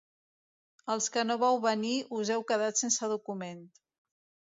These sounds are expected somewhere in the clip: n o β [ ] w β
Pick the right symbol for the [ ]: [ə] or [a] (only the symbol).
a